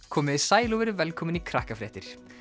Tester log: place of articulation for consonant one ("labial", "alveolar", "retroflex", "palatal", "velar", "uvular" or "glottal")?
velar